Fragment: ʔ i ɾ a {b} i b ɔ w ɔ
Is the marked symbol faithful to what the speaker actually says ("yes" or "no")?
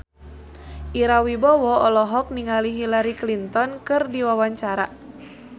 no